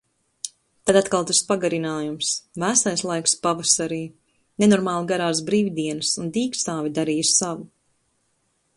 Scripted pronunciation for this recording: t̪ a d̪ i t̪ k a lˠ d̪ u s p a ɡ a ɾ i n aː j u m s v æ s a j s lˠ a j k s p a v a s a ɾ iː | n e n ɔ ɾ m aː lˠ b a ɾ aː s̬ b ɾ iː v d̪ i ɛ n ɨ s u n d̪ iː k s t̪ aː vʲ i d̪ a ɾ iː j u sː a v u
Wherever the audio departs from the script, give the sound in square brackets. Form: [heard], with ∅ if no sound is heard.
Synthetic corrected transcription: t̪ a d̪ [a] t̪ k a lˠ [t̪] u s p a ɡ a ɾ i n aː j u m s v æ s a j s lˠ a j k s p a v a s a ɾ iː | n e n ɔ ɾ m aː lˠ [ɡ] a ɾ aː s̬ b ɾ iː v d̪ i ɛ n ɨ s u n d̪ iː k s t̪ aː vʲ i d̪ a ɾ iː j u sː a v u